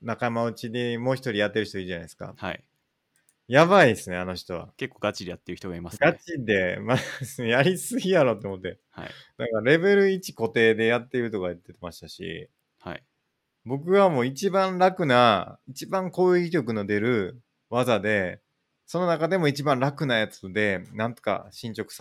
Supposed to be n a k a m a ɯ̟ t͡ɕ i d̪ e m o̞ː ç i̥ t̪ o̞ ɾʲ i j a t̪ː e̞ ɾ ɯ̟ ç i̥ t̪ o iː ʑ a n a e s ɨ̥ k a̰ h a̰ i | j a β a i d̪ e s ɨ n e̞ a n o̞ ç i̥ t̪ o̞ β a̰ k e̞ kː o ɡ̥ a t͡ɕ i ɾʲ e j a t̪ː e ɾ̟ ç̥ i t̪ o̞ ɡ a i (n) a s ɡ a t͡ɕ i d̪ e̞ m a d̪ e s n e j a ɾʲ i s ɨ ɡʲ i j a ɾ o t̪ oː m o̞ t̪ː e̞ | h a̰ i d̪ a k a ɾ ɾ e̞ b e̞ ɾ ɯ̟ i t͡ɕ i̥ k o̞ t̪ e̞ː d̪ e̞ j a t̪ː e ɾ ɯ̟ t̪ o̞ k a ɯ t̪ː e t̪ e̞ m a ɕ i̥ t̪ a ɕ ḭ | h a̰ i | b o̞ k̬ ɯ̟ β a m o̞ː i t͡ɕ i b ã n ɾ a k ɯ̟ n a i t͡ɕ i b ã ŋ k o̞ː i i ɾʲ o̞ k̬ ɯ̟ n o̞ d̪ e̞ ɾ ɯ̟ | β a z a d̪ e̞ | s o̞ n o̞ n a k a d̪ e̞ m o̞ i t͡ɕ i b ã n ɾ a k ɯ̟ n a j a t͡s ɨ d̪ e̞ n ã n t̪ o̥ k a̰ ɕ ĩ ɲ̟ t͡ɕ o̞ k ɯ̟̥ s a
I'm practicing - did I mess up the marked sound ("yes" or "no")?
yes